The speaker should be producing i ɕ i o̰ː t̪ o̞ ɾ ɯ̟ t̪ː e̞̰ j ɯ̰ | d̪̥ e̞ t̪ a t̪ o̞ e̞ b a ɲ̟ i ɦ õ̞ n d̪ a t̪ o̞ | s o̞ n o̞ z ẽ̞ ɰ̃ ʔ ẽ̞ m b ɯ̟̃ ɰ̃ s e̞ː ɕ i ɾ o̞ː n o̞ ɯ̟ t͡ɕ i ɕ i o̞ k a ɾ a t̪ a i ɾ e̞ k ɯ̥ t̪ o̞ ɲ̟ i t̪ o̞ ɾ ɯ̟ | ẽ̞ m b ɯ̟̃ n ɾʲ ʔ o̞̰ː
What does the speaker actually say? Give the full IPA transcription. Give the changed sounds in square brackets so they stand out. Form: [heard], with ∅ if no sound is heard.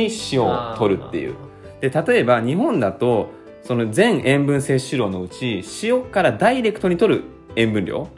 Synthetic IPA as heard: i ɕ i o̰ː t̪ o̞ ɾ ɯ̟ t̪ː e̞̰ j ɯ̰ | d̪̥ e̞ t̪ a t̪ o̞ e̞ b a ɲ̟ i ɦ õ̞ n d̪ a t̪ o̞ | s o̞ n o̞ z ẽ̞ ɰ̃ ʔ ẽ̞ m b ɯ̟̃ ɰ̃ s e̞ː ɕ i ɾ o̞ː n o̞ ɯ̟ t͡ɕ i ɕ i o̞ k a ɾ a [d̪] a i ɾ e̞ k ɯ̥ t̪ o̞ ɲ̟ i t̪ o̞ ɾ ɯ̟ | ẽ̞ m b ɯ̟̃ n ɾʲ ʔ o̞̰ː